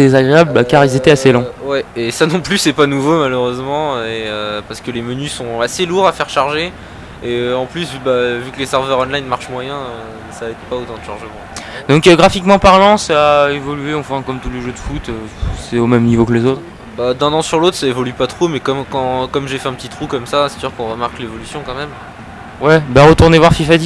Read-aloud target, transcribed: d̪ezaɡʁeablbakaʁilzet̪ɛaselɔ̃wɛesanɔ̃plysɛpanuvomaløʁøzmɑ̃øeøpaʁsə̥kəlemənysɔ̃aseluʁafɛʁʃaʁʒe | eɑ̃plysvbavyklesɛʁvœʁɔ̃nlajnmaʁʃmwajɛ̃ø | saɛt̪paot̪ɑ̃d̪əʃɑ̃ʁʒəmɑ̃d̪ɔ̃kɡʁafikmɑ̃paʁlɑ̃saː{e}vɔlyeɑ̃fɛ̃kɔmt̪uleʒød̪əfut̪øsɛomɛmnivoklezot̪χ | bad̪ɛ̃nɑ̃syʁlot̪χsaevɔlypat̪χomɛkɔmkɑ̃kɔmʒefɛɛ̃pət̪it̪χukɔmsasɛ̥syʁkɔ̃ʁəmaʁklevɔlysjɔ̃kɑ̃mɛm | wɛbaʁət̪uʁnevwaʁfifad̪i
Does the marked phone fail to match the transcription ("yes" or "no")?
no